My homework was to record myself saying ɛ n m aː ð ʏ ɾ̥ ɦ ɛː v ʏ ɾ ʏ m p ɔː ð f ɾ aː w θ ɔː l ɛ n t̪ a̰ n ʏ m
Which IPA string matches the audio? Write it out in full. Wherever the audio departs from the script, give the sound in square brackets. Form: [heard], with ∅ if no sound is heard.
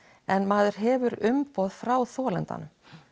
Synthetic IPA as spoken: ɛ n m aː ð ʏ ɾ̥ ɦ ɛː v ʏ ɾ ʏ m p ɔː ð f ɾ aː w θ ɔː l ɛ n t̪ a̰ n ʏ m